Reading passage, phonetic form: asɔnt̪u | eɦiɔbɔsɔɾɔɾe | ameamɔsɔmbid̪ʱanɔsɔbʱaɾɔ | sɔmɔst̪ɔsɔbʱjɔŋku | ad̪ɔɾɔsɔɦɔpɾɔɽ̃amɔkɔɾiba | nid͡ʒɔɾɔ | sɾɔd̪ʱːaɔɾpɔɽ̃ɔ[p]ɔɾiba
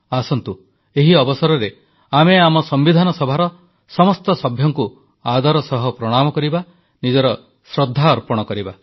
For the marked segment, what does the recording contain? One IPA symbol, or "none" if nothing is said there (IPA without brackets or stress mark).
k